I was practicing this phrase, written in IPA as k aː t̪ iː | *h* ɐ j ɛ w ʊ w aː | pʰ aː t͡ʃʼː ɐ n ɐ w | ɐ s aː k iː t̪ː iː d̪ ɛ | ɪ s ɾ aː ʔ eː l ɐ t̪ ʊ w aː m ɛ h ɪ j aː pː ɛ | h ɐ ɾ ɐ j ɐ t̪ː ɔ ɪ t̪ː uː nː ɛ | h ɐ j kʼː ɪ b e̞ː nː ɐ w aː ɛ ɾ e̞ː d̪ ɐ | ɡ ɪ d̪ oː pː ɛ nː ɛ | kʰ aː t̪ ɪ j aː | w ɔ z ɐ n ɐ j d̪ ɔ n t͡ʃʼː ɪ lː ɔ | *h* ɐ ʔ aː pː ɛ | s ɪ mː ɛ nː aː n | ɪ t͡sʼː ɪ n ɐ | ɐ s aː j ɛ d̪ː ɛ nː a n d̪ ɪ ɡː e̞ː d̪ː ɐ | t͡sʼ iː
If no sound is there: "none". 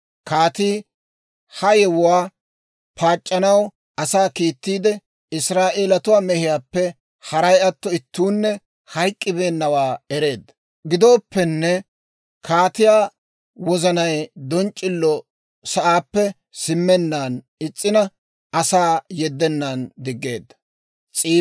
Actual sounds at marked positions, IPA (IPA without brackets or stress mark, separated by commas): h, s